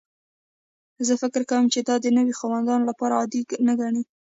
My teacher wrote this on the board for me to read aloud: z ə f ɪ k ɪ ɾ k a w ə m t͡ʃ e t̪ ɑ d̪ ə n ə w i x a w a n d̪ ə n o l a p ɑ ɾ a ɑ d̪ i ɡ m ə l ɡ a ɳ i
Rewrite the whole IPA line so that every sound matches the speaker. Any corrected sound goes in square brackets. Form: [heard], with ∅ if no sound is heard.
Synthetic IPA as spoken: z ə f ɪ k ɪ ɾ k a w ə m t͡ʃ e [d̪] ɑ d̪ ə n ə w i x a w a n d̪ [ɑ] n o l a p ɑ ɾ a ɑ d̪ i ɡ [n] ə [∅] ɡ a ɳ i